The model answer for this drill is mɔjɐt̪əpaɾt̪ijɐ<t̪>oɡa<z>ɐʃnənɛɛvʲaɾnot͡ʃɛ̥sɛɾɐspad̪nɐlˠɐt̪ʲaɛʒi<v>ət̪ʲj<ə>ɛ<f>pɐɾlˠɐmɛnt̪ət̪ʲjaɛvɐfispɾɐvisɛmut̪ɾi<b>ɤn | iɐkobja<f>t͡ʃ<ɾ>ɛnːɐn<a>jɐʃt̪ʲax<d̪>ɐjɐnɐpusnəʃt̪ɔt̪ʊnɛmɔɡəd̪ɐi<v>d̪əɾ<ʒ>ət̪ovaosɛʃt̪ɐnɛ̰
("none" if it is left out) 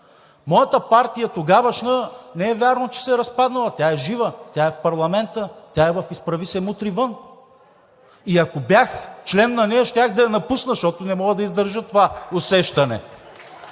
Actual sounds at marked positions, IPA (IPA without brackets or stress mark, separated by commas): t̪, v, v, a, f, v, x, l, ɛ, d̪, z, ʒ